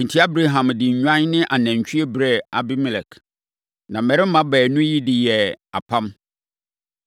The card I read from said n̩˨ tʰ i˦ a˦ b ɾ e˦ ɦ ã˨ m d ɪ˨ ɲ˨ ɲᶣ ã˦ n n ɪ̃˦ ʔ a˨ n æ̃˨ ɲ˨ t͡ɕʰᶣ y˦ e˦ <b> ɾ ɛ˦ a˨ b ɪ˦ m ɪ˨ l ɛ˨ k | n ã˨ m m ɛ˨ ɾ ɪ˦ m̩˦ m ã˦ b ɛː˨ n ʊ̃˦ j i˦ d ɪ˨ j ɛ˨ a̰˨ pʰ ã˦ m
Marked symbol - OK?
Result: yes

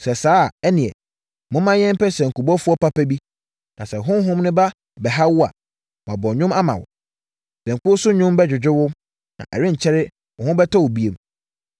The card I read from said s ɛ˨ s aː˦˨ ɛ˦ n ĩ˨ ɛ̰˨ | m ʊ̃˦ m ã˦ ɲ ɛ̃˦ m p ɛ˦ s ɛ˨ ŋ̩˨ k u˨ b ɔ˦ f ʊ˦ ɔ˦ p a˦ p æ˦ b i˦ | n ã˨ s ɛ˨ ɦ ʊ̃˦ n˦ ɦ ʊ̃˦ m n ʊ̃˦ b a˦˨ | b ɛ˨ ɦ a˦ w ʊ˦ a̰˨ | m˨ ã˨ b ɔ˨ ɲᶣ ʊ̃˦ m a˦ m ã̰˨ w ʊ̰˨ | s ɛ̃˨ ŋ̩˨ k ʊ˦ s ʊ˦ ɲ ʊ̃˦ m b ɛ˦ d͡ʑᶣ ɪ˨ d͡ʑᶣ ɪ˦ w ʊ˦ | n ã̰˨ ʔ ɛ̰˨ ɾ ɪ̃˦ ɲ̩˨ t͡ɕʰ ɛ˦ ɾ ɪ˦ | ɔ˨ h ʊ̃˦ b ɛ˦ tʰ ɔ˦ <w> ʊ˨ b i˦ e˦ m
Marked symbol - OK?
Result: yes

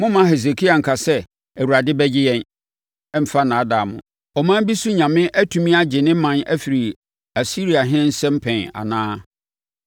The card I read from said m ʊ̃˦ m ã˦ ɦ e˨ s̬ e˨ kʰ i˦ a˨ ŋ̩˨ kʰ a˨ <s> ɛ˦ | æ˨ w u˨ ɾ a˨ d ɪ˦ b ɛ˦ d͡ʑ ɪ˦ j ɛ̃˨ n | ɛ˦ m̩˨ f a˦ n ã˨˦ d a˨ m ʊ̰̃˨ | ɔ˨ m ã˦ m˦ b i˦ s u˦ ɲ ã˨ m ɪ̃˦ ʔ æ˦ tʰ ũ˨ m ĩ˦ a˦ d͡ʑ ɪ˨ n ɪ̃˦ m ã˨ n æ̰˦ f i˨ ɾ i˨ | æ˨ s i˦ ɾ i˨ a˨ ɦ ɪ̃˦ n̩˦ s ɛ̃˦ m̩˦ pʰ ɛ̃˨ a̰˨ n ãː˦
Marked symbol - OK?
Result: yes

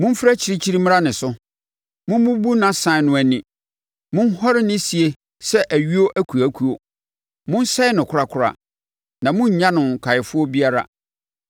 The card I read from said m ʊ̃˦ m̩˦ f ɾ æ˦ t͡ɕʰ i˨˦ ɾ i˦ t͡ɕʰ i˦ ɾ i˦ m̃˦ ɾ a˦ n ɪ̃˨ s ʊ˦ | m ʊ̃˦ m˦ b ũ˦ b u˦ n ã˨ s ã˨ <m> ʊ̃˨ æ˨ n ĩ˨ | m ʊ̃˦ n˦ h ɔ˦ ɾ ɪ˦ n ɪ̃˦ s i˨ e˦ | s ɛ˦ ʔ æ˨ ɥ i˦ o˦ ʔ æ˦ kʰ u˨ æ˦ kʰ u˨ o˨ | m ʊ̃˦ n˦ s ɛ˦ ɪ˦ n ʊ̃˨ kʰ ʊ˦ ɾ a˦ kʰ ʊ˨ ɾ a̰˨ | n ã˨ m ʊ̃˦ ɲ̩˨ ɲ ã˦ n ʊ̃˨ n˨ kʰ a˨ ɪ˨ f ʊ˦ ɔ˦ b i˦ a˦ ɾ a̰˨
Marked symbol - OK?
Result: no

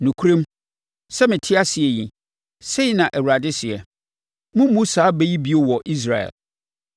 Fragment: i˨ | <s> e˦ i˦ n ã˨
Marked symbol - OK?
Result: yes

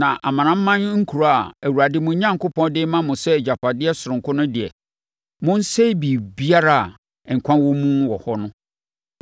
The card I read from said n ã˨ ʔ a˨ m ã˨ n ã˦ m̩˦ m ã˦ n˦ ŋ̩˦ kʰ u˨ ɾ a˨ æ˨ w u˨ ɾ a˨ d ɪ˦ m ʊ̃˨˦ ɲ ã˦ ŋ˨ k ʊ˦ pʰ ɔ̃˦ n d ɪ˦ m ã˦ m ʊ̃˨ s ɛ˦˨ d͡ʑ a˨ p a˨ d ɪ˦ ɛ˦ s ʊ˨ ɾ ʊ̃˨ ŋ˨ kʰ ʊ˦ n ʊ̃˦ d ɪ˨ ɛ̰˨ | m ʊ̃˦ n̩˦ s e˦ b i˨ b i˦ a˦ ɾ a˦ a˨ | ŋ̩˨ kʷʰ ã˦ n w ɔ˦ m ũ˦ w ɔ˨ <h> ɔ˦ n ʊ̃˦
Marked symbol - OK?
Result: yes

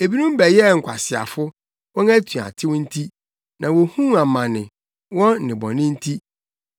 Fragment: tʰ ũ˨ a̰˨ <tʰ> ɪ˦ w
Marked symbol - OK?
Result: yes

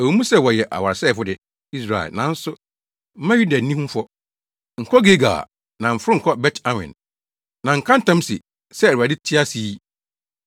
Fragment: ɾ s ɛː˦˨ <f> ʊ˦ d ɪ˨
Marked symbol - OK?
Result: yes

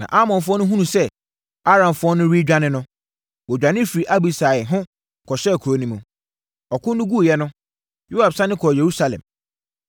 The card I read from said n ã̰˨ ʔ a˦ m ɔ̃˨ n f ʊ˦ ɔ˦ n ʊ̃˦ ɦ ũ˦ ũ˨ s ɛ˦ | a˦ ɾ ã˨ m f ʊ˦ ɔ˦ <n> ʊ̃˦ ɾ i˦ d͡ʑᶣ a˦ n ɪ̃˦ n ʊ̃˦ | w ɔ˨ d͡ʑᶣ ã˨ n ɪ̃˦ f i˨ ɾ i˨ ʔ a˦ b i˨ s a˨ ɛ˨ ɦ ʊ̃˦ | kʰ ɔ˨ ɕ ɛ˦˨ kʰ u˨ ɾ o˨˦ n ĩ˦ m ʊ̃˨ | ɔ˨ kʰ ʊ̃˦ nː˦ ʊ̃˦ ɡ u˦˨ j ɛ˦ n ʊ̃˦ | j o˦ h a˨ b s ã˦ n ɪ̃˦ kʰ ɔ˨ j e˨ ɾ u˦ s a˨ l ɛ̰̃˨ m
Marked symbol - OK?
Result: yes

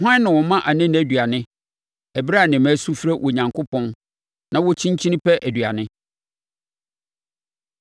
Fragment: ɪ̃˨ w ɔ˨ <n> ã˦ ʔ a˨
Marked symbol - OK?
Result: no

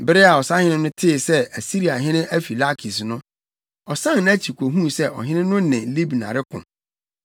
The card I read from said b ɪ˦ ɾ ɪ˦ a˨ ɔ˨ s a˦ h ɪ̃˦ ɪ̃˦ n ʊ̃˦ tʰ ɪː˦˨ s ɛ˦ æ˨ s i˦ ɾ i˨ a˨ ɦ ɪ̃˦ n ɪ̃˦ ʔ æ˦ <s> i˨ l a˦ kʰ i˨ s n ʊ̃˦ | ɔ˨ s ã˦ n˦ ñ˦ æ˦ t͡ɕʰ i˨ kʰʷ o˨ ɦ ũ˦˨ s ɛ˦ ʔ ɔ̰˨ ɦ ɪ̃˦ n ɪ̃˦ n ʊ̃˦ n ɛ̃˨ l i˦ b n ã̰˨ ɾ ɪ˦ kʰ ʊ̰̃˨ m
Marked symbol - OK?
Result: no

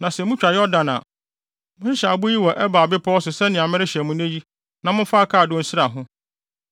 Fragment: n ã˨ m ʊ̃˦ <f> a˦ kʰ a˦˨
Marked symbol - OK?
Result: yes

